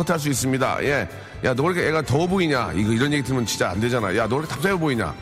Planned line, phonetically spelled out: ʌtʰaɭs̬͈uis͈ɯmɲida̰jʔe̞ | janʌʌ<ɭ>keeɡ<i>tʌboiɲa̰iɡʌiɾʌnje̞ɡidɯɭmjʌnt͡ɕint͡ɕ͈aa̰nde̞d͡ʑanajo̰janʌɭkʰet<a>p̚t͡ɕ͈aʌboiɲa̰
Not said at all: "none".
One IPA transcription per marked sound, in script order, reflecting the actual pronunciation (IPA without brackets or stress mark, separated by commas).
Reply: ɭ, a, a